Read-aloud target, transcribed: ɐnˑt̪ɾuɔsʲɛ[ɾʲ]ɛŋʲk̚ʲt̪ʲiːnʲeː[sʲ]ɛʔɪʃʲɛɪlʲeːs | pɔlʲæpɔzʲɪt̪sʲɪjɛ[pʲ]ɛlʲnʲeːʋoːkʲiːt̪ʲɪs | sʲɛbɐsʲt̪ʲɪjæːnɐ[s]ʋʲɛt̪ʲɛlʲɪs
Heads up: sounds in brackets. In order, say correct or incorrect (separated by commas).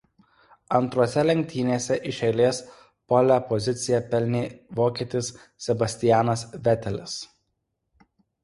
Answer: incorrect, correct, correct, correct